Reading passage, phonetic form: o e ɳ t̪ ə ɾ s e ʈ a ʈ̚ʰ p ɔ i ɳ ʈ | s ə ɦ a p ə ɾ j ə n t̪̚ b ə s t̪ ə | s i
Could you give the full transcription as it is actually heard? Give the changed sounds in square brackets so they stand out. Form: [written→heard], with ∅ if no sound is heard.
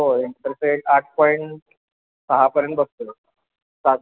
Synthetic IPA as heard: o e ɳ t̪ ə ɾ s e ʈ a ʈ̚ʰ p ɔ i ɳ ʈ | s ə ɦ a p ə ɾ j ə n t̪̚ b ə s t̪ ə | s [i→a]